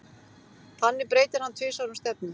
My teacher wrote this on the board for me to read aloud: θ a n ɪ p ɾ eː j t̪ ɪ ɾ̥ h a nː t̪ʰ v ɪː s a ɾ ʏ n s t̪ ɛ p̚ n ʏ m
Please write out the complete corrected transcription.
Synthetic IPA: θ a nː ɪ p ɾ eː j t̪ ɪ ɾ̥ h a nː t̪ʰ v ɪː s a ɾ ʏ m s t̪ ɛ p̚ n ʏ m